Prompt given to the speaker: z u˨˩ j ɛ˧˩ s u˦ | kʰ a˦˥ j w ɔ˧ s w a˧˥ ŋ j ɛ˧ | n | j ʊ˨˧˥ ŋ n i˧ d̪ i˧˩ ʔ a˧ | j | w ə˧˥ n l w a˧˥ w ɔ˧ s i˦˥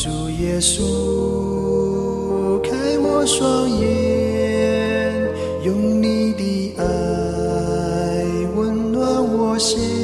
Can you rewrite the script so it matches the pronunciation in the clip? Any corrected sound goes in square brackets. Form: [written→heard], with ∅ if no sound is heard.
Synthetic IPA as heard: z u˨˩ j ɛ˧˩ s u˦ | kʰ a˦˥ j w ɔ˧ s w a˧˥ ŋ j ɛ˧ | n | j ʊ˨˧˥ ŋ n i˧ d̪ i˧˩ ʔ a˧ | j | w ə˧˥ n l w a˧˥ w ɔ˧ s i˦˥